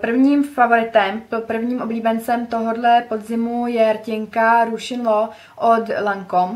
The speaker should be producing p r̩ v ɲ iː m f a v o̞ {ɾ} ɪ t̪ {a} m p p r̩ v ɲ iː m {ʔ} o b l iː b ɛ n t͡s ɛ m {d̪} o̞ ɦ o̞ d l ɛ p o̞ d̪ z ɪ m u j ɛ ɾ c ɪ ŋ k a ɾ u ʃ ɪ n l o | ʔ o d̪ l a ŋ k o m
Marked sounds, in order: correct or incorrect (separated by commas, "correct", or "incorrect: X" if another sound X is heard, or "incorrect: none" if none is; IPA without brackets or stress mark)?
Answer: correct, incorrect: ɛ, correct, incorrect: t̪